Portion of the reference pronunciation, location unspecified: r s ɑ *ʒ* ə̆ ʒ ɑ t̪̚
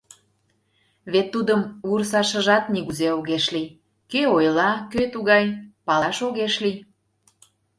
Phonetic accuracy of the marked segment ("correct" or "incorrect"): incorrect